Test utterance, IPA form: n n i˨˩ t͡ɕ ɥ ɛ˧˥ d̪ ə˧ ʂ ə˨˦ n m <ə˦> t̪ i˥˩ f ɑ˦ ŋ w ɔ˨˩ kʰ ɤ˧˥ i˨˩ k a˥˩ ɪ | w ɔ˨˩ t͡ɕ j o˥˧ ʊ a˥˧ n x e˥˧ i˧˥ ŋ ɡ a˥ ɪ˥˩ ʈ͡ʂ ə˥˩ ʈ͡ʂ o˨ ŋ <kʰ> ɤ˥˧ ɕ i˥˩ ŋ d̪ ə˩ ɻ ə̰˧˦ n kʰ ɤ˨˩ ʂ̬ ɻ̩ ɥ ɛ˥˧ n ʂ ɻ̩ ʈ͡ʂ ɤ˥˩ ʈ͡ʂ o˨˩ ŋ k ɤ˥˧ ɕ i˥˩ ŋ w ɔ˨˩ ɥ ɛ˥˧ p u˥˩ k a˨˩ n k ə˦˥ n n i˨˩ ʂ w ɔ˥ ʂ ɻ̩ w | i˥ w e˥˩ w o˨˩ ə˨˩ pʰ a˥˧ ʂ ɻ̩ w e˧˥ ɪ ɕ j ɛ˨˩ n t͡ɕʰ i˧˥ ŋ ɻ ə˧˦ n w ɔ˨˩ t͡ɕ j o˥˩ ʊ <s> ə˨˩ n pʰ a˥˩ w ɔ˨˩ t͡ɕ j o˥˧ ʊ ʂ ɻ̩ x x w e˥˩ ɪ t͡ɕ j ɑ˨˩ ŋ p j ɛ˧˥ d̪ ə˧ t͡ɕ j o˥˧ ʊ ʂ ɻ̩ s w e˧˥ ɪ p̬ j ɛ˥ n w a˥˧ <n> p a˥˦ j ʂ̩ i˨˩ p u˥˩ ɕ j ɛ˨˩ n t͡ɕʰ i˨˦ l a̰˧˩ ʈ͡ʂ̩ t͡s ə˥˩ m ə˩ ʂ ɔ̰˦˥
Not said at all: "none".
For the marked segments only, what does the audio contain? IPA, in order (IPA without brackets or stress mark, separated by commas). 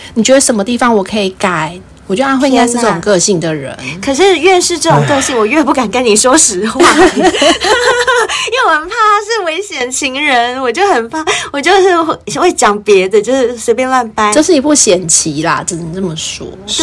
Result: ə˦, k, x, n